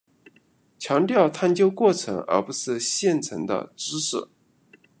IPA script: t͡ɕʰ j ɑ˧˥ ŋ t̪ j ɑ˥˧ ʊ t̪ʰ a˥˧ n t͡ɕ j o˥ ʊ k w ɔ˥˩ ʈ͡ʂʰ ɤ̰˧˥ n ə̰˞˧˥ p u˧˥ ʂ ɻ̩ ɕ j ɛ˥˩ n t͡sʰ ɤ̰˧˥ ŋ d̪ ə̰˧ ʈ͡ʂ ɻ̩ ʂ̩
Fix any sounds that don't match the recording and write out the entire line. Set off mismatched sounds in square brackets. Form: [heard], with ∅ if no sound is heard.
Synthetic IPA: t͡ɕʰ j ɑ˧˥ ŋ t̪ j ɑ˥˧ ʊ t̪ʰ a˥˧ n t͡ɕ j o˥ ʊ k w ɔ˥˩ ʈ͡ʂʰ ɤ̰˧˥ [ŋ] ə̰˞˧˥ p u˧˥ ʂ ɻ̩ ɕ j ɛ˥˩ n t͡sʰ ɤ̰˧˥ ŋ d̪ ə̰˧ ʈ͡ʂ ɻ̩ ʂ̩